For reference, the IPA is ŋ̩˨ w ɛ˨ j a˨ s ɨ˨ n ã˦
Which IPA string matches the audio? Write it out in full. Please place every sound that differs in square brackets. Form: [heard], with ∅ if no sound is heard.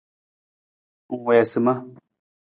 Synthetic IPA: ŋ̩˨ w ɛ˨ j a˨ s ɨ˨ [m] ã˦